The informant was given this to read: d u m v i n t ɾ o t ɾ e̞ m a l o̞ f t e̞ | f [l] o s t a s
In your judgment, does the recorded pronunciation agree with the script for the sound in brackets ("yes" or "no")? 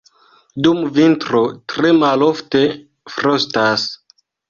no